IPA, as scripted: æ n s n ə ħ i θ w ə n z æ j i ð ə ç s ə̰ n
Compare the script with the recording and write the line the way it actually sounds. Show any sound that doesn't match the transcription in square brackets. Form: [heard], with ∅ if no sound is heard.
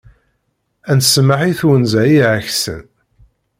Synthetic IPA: æ n s [m] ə ħ i θ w ə n z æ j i [ʕ] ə ç s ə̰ n